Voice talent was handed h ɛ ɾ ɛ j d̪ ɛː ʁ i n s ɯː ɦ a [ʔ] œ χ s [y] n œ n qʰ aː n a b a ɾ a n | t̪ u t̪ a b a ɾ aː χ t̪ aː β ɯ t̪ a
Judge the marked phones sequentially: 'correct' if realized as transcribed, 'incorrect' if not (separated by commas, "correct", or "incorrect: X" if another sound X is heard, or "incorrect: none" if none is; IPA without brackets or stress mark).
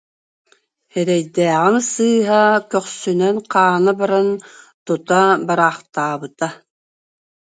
incorrect: k, correct